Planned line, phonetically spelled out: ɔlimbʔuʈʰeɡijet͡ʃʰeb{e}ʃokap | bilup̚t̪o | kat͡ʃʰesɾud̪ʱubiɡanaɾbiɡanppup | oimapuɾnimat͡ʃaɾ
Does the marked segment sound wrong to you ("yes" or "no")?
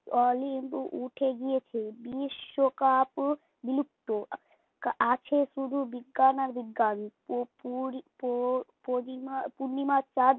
yes